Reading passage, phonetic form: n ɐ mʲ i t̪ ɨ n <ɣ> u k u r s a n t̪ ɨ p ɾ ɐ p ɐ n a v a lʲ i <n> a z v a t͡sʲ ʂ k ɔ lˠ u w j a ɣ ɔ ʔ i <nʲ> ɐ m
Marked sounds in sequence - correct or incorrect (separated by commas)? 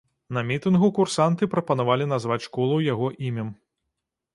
correct, correct, incorrect